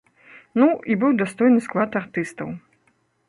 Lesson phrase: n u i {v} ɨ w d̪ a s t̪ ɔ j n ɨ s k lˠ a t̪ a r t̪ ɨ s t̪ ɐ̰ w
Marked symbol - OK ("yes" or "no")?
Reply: no